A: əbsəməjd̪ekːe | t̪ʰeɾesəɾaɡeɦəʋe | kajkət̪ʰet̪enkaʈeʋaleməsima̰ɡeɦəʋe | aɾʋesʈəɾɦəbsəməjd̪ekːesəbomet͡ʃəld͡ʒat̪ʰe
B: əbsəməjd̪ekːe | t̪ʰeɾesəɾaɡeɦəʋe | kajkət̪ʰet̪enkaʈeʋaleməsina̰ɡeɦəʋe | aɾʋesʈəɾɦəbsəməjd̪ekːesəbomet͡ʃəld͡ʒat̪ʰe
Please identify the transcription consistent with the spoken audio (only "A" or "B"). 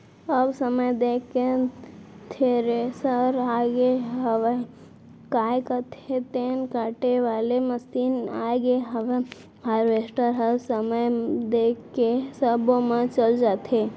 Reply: B